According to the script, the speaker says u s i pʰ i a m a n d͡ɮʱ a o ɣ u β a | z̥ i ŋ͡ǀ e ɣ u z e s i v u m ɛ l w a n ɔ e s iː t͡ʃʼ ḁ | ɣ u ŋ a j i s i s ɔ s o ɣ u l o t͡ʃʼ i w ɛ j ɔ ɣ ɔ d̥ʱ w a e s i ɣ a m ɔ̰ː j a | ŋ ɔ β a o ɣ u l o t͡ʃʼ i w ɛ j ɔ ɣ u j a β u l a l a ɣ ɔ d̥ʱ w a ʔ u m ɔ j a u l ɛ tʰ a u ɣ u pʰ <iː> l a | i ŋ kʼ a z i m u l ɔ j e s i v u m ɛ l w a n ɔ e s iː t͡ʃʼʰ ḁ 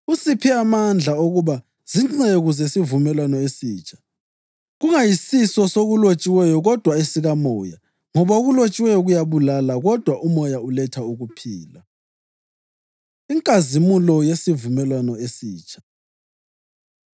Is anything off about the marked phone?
no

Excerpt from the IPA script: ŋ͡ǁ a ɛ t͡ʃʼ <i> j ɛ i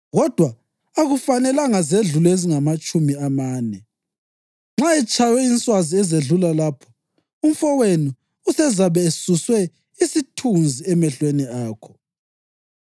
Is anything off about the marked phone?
yes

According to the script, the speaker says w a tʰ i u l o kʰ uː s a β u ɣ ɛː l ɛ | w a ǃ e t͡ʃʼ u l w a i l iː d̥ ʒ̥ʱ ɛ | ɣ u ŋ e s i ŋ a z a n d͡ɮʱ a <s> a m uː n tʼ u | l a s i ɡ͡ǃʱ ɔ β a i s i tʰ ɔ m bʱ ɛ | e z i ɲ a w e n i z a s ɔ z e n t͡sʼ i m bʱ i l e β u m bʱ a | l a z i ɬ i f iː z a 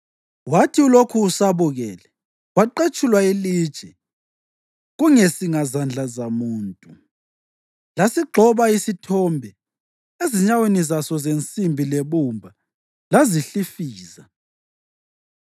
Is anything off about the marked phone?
yes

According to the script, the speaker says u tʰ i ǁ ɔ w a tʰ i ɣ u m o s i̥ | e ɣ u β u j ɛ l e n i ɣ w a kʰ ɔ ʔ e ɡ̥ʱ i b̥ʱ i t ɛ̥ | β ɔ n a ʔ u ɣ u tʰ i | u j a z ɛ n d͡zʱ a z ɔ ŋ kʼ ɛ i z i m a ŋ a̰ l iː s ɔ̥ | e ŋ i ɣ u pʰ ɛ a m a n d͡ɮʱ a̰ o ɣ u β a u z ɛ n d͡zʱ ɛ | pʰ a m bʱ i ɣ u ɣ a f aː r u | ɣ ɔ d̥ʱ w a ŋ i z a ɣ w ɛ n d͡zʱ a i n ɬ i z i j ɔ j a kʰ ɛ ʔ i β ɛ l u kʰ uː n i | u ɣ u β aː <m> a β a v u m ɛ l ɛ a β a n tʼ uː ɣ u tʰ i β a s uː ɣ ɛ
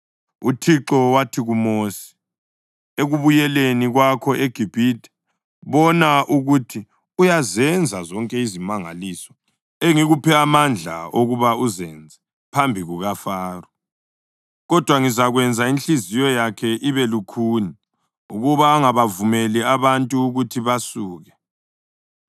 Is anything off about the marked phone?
yes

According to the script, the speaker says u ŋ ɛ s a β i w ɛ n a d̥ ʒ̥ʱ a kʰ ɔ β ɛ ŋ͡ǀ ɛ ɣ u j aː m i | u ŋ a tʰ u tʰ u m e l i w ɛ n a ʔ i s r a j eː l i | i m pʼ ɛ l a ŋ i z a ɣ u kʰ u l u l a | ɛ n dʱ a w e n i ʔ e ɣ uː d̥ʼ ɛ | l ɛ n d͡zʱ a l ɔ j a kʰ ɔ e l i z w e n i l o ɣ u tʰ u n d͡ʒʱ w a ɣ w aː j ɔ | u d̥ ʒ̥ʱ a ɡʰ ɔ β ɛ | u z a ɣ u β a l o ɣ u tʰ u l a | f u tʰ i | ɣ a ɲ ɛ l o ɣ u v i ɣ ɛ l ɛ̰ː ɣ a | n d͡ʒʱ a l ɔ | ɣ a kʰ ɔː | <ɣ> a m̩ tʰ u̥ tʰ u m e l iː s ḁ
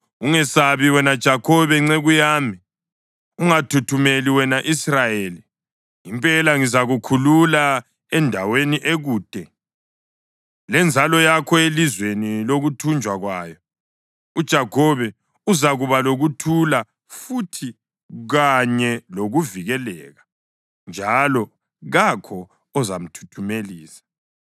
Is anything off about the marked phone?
yes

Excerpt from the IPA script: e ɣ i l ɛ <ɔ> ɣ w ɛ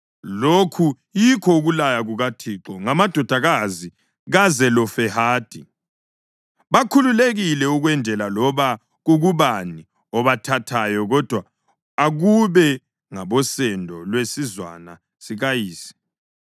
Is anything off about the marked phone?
yes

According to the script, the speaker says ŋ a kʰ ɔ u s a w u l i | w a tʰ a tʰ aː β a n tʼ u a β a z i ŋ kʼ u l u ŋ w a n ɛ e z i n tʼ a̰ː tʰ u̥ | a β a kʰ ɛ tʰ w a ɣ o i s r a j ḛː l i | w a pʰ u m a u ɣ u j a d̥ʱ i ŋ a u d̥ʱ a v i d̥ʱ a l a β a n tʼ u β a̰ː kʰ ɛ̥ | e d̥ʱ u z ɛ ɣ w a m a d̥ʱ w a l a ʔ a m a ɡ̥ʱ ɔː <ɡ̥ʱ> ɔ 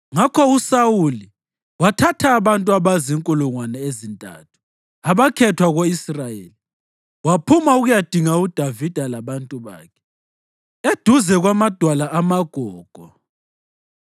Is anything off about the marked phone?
no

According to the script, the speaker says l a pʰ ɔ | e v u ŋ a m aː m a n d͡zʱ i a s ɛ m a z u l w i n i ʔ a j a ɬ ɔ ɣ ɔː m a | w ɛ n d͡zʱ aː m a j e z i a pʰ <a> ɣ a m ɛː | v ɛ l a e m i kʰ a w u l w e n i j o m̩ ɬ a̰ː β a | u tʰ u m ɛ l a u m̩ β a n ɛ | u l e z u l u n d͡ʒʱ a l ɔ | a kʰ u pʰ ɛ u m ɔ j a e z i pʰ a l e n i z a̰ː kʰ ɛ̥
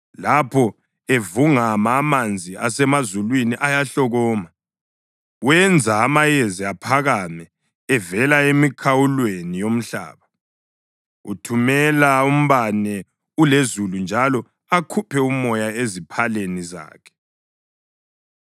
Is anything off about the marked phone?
no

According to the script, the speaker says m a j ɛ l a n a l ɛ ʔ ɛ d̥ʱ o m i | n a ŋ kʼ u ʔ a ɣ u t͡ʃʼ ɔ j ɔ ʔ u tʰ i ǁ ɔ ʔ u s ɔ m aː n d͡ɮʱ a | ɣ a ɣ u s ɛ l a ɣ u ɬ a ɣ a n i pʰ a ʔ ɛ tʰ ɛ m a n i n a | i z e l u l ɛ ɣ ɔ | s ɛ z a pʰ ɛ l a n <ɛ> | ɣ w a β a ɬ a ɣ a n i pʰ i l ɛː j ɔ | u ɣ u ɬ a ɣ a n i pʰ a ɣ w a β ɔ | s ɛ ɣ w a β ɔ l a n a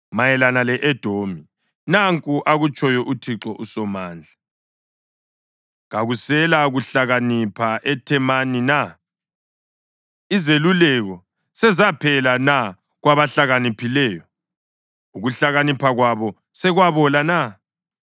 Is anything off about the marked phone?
yes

